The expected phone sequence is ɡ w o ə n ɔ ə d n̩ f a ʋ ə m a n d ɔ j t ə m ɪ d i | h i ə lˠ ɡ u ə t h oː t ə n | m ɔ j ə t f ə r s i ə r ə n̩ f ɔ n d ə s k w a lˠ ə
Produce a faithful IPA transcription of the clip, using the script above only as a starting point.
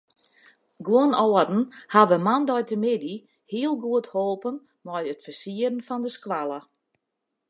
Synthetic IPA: ɡ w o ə n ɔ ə d n̩ h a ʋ ə m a n d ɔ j t ə m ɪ d i | h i ə lˠ ɡ u ə t h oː p ə n | m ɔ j ə t f ə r s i ə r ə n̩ f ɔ n d ə s k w a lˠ ə